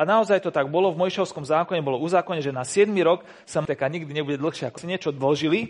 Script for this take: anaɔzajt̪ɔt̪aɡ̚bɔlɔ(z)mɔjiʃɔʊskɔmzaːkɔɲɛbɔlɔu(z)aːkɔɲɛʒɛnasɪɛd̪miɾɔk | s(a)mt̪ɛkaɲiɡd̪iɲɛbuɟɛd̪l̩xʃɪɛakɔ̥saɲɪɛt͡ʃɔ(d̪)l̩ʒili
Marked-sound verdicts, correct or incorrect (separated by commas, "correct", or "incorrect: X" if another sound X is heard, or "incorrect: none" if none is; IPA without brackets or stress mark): incorrect: v, correct, correct, correct